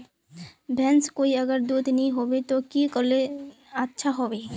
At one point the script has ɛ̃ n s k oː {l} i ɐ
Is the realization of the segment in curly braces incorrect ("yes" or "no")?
yes